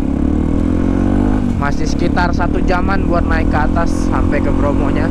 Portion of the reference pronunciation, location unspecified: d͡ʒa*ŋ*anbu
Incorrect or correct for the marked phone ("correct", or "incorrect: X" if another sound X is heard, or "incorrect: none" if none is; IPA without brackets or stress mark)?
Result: incorrect: m